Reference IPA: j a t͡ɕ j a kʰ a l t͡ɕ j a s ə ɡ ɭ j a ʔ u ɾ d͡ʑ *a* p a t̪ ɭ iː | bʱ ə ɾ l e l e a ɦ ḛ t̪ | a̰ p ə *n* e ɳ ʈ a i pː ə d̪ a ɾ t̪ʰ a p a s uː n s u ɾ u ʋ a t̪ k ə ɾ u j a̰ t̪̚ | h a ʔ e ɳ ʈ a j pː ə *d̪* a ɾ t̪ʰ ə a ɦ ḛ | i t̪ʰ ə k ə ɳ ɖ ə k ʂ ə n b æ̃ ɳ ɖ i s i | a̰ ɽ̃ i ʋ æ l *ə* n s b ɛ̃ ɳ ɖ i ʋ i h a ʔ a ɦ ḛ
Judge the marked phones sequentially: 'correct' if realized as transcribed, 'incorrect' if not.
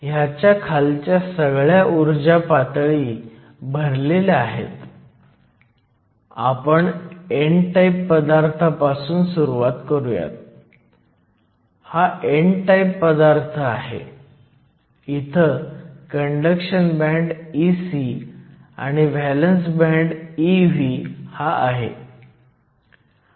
correct, incorrect: ɳ, correct, correct

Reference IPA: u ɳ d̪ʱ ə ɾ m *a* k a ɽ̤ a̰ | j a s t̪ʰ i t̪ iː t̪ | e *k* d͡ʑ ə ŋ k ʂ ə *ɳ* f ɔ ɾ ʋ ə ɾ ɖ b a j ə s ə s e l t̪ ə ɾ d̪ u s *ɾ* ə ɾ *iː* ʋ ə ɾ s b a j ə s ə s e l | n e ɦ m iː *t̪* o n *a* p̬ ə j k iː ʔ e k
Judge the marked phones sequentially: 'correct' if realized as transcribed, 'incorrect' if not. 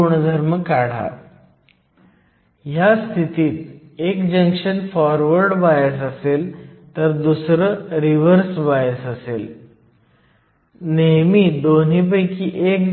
incorrect: ə, correct, incorrect: n, correct, incorrect: i, incorrect: d̪, incorrect: i

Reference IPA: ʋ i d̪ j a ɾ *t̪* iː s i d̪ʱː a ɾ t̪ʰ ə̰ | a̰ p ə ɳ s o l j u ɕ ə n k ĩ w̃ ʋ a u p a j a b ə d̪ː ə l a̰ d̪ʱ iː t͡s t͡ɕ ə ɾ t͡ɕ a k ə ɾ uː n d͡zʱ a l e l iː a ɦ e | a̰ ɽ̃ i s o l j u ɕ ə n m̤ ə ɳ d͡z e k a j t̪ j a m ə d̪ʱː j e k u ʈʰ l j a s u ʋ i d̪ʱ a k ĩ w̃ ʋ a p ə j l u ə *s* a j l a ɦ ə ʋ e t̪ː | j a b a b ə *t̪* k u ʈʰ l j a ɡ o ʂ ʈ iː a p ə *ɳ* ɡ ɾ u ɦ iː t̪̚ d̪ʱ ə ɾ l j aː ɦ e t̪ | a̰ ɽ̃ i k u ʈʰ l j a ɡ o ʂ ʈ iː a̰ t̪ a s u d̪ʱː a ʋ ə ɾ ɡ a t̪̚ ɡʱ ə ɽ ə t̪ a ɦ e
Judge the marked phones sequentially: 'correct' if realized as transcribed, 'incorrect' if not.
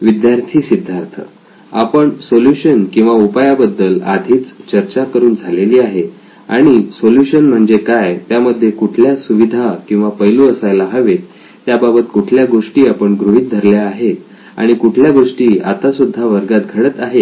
incorrect: t̪ʰ, correct, correct, correct

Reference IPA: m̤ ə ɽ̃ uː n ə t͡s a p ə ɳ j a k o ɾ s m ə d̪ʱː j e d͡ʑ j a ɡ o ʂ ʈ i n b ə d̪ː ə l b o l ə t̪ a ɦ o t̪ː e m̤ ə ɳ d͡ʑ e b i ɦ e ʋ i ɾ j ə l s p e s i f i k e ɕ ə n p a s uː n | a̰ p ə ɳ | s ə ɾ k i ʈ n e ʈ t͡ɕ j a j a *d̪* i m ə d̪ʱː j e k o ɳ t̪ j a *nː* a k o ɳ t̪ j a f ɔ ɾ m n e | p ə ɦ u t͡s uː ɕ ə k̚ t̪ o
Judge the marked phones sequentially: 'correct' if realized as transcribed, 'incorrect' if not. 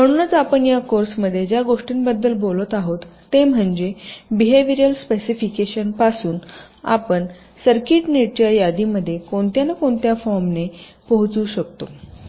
correct, incorrect: n

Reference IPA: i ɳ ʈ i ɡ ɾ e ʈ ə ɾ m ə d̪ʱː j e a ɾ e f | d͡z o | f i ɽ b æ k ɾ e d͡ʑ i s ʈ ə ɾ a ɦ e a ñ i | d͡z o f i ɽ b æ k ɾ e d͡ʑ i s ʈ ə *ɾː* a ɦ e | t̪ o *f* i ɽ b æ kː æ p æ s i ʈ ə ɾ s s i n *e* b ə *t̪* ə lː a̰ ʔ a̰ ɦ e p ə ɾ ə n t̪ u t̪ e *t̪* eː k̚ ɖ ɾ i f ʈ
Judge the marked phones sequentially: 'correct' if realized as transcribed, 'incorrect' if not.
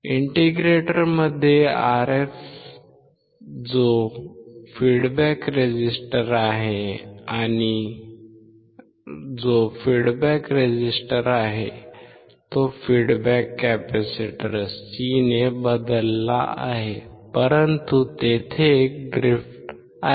incorrect: ɾ, correct, correct, incorrect: d̪, incorrect: t̪ʰ

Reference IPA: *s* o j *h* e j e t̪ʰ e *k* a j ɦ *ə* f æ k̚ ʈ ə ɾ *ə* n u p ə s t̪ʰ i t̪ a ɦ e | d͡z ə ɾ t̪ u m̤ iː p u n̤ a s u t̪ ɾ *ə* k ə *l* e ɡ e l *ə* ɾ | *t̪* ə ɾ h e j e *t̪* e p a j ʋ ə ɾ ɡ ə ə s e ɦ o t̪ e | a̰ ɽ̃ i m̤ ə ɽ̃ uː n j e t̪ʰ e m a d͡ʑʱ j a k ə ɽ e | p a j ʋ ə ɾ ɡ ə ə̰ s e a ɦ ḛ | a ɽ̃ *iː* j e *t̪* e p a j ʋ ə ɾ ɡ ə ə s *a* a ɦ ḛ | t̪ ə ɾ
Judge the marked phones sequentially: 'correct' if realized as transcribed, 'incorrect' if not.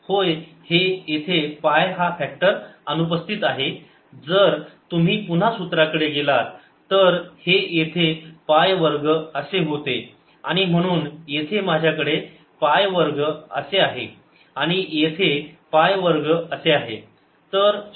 incorrect: h, correct, incorrect: p, incorrect: a, correct, incorrect: a, incorrect: ɽ, incorrect: a, correct, incorrect: t̪ʰ, incorrect: i, incorrect: t̪ʰ, incorrect: e

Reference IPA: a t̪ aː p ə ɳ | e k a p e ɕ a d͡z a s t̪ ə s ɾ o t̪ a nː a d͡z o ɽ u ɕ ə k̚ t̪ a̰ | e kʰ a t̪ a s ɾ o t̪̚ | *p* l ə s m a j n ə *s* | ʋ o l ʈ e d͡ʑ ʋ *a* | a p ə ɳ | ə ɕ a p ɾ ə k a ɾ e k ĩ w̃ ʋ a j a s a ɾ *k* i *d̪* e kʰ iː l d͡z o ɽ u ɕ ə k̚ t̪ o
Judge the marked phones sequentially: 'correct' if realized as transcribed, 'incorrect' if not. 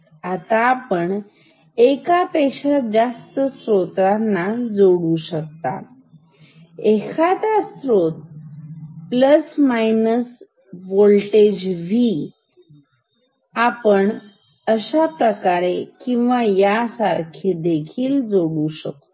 correct, correct, incorrect: i, incorrect: kʰ, correct

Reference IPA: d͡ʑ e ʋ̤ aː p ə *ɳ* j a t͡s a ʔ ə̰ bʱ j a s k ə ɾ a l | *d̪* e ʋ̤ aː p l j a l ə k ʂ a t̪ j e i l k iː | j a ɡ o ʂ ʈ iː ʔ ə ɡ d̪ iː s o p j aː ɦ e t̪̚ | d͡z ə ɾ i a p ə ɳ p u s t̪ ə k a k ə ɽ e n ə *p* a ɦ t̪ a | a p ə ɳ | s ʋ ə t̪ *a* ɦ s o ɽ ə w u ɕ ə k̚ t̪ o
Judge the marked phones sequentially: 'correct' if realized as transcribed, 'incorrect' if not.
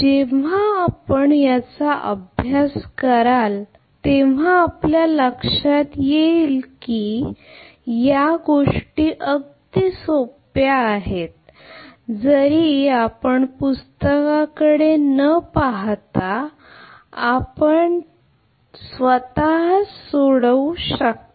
correct, incorrect: t̪, correct, correct

